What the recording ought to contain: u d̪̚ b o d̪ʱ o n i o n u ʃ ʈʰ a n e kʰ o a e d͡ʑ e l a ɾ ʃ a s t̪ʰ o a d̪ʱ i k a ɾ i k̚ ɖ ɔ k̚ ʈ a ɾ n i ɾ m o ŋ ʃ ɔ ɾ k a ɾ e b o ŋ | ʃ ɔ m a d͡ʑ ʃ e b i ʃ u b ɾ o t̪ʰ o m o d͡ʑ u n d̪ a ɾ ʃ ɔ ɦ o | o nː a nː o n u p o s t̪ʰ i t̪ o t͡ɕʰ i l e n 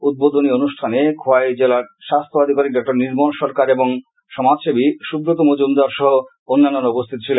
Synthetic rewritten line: u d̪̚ b o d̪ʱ o n i o n u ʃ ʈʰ a n e kʰ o a e d͡ʑ e l a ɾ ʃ a s t̪ʰ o a d̪ʱ i k a ɾ i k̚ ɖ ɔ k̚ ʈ a ɾ n i ɾ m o n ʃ ɔ ɾ k a ɾ e b o ŋ | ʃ ɔ m a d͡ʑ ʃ e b i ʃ u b ɾ o t̪ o m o d͡ʑ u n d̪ a ɾ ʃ ɔ ɦ o | o nː a nː o n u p o s t̪ʰ i t̪ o t͡ɕʰ i l e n

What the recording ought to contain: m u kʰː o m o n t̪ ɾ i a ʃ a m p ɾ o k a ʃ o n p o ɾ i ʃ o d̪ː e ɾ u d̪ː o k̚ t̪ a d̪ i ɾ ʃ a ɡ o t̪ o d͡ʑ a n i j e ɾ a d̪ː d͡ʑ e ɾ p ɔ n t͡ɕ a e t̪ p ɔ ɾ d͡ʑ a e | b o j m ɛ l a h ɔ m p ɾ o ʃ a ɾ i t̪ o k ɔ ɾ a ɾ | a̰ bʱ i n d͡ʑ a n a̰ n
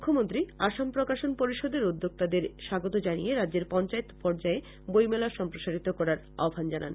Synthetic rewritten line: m u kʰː o m o n t̪ ɾ i a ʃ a m p ɾ o k a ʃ o n p o ɾ i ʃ o d̪ e ɾ u d̪ː o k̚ t̪ a d̪ e ɾ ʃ a ɡ o t̪ o d͡ʑ a n i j e ɾ a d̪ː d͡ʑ e ɾ p ɔ n t͡ɕ a e t̪ p ɔ ɾ d͡ʑ a e | b o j m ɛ l a ʃ ɔ m p ɾ o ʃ a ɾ i t̪ o k ɔ ɾ a ɾ | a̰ bʱ a n d͡ʑ a n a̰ n

